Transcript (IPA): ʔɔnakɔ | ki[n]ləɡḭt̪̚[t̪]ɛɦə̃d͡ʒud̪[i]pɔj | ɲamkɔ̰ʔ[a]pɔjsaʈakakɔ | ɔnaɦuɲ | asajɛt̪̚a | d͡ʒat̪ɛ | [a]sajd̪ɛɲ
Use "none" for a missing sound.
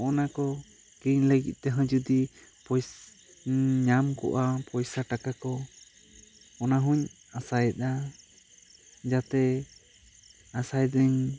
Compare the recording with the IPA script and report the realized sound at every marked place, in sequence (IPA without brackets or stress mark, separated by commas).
ɲ, t̪, i, a, a